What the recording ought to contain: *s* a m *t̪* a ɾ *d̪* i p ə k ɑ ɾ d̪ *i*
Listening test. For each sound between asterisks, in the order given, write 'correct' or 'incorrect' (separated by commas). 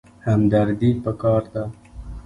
incorrect, incorrect, correct, incorrect